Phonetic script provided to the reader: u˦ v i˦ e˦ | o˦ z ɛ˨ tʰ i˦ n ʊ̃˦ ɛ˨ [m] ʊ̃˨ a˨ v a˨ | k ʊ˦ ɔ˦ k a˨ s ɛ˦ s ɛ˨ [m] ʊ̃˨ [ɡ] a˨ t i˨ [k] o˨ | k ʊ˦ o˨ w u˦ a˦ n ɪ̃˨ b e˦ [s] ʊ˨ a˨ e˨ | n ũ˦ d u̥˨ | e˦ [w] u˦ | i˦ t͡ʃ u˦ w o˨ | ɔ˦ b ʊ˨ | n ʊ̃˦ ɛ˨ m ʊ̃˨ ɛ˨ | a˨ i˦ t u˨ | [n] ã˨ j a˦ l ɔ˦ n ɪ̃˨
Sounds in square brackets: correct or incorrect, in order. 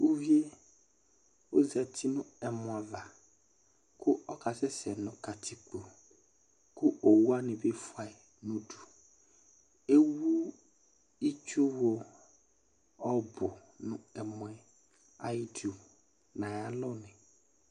correct, incorrect: n, incorrect: k, incorrect: k͡p, incorrect: f, correct, correct

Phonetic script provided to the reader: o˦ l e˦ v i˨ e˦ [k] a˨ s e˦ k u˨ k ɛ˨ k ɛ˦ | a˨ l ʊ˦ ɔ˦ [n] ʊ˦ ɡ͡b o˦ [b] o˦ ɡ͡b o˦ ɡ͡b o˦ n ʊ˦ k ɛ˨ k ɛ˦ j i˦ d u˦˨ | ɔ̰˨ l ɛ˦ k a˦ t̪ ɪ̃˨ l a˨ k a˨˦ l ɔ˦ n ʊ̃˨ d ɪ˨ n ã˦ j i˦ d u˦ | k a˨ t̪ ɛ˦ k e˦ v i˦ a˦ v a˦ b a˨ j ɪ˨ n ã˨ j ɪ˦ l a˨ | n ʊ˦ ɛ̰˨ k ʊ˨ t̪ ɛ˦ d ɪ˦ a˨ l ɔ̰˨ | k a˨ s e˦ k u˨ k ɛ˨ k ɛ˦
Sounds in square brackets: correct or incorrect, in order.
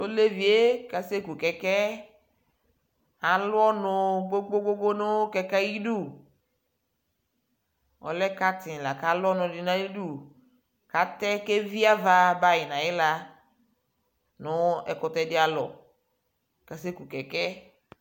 correct, correct, incorrect: ɡ͡b

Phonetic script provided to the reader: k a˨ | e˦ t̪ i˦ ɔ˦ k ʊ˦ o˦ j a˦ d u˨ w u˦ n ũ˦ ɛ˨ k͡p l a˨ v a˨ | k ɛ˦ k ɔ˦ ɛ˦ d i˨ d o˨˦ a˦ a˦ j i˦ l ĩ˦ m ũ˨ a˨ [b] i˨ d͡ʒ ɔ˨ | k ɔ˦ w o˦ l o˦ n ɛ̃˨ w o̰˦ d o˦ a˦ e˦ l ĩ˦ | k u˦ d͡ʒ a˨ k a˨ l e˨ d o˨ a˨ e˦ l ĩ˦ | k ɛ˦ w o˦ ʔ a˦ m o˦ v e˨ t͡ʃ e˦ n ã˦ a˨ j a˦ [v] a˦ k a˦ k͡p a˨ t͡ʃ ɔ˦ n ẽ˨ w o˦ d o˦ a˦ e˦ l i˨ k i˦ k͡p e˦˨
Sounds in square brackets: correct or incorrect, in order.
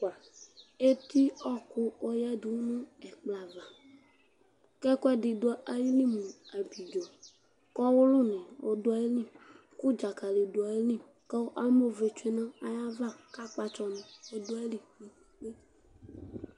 correct, correct

